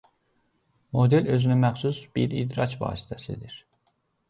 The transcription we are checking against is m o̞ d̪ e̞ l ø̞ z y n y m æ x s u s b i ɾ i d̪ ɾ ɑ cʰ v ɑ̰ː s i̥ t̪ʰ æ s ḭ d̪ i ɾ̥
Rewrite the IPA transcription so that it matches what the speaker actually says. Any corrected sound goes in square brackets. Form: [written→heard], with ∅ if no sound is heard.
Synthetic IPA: m o̞ d̪ e̞ l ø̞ z y n y m æ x s u s b i ɾ i d̪ ɾ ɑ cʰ v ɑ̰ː s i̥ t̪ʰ æ s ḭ d̪ i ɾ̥